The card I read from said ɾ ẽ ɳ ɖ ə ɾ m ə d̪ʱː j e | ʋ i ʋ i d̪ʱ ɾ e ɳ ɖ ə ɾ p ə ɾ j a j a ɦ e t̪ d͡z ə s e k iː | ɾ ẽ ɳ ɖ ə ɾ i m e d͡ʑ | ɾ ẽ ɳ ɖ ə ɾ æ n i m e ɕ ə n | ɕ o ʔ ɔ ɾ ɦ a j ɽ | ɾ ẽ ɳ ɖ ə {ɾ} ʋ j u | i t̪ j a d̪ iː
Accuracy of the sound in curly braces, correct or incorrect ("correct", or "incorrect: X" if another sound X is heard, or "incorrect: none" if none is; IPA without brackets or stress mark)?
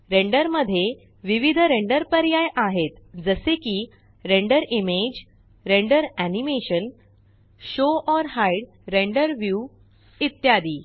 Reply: correct